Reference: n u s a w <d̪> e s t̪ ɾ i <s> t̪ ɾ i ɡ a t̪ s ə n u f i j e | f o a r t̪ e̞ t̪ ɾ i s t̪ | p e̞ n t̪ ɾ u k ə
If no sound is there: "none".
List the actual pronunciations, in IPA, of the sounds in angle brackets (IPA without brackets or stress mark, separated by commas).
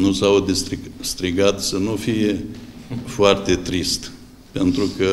d̪, s